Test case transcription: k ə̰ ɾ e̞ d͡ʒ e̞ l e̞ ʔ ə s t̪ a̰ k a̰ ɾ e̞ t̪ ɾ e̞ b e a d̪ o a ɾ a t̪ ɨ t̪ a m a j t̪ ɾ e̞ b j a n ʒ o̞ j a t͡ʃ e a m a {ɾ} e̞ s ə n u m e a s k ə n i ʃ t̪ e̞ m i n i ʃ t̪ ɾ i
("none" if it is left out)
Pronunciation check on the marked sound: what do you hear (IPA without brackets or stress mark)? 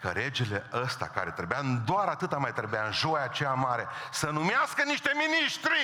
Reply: ɾ